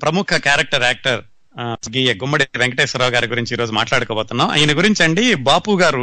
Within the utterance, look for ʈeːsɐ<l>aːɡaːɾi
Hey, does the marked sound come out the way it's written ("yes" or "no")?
no